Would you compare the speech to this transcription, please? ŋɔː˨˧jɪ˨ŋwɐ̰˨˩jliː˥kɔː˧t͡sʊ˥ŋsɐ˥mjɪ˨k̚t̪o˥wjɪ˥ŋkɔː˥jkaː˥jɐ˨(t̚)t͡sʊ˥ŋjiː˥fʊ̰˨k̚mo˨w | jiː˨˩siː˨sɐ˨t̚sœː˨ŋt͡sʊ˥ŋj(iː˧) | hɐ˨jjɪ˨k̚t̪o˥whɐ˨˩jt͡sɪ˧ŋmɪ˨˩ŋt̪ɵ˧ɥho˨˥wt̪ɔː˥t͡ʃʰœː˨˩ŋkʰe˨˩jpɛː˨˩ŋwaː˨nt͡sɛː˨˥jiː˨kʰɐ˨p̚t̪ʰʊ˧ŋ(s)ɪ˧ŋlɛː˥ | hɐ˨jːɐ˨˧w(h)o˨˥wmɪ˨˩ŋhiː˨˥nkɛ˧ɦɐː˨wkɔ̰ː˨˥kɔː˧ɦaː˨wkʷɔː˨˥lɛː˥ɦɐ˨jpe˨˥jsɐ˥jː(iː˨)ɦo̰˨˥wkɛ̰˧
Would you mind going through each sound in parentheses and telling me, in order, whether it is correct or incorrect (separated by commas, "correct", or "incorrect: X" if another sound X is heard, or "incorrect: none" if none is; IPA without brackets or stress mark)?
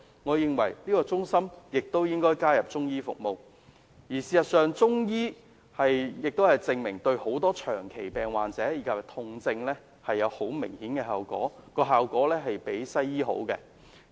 incorrect: p̚, incorrect: iː˥, incorrect: t͡s, correct, incorrect: iː˥